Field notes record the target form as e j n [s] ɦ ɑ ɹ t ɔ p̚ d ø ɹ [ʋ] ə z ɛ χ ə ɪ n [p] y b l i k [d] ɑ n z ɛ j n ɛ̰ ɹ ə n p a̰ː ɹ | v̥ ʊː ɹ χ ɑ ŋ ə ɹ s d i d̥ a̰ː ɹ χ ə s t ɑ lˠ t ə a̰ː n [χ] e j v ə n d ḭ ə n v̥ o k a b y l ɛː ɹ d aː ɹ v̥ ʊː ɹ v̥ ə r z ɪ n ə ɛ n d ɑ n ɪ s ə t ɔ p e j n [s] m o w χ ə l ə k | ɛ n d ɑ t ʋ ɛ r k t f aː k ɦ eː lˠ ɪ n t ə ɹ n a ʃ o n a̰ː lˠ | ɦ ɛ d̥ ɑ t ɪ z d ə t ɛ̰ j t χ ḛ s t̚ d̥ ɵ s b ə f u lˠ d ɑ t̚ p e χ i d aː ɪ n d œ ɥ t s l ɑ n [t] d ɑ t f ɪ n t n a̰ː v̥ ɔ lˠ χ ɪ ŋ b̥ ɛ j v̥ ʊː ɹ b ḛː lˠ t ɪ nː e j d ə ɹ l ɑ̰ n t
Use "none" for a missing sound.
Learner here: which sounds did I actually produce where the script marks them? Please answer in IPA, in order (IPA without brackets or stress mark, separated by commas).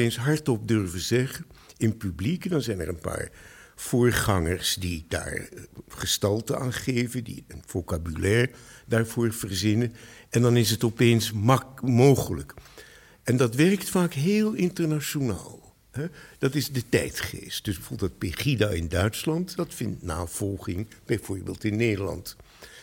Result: s, v, p, d, χ, s, t